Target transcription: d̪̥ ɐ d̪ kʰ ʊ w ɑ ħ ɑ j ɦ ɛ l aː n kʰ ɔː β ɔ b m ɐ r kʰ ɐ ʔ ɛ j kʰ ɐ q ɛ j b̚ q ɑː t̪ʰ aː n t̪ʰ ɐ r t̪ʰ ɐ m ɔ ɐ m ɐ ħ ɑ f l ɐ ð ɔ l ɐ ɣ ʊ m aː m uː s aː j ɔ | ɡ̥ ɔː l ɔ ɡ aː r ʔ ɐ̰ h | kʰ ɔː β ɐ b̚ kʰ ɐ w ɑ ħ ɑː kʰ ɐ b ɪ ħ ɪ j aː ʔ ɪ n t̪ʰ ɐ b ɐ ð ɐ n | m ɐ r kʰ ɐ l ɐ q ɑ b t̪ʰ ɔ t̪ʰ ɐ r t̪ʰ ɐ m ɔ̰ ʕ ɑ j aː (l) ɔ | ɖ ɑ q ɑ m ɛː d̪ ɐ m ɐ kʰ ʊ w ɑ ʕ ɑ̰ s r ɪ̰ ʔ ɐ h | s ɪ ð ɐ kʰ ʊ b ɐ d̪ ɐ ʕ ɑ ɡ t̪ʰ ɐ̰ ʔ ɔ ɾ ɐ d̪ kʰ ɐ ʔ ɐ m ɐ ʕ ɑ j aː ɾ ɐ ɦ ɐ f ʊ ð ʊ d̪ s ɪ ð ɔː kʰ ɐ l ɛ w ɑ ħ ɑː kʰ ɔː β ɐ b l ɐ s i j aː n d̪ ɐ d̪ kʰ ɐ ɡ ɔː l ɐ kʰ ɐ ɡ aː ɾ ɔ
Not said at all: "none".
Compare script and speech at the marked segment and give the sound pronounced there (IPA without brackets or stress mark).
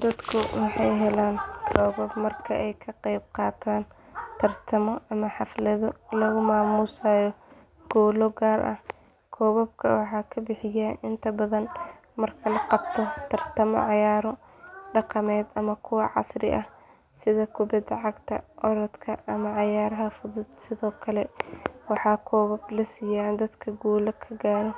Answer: ɾ